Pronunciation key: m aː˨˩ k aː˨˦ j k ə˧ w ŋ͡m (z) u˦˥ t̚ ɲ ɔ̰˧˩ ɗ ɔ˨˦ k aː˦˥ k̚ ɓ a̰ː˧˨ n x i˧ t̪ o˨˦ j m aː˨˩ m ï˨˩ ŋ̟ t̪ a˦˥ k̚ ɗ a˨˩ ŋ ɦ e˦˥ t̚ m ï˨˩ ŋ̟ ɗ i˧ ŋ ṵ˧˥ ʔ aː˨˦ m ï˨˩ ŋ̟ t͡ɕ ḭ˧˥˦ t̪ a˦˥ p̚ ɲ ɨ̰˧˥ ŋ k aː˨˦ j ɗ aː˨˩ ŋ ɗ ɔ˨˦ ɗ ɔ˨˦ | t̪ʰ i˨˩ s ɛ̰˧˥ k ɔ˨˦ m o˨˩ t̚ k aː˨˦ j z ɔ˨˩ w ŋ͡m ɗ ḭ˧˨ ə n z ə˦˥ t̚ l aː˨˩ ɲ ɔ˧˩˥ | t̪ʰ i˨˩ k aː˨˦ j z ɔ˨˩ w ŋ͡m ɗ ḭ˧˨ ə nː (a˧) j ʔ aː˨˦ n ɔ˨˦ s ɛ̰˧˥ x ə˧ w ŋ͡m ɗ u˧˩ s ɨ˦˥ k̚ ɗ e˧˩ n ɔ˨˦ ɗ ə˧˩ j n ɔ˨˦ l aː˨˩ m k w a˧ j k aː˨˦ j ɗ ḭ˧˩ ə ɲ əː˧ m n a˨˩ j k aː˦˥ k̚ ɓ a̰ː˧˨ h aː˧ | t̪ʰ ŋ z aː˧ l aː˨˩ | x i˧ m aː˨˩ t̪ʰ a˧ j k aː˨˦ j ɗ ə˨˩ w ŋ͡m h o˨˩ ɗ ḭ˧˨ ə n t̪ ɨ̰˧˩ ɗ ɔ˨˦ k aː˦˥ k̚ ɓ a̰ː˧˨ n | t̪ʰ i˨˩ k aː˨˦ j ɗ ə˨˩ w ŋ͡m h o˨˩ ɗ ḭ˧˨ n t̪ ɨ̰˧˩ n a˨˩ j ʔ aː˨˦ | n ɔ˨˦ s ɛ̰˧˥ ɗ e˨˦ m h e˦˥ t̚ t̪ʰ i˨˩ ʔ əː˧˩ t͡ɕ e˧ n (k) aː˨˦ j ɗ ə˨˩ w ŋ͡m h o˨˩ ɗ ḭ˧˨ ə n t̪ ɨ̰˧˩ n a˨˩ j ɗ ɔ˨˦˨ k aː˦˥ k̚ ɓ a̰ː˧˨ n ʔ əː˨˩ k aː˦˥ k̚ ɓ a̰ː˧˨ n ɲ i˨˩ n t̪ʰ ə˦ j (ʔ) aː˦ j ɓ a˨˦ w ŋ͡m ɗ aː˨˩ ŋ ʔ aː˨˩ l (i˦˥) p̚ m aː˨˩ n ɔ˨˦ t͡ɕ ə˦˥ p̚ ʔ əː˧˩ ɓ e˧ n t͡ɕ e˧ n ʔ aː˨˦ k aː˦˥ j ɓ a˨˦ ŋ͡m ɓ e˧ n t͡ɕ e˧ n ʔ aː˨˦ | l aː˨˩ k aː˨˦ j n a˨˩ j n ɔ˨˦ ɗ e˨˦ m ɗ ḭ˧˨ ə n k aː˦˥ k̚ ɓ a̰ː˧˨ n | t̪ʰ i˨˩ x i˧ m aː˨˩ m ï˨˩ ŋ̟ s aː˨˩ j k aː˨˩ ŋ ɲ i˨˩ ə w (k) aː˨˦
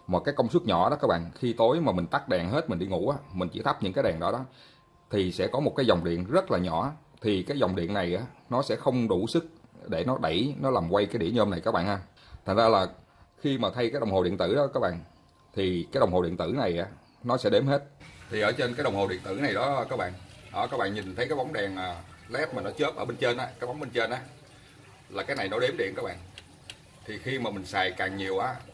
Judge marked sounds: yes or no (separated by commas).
no, no, yes, no, no, no